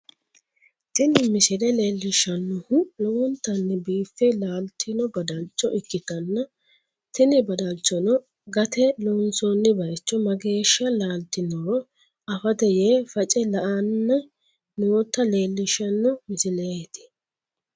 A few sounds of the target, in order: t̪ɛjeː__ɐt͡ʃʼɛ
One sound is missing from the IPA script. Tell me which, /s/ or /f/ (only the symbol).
f